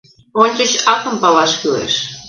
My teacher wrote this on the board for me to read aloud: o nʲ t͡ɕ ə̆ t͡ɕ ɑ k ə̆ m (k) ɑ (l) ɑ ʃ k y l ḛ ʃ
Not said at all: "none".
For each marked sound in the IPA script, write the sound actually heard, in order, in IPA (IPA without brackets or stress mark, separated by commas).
p, l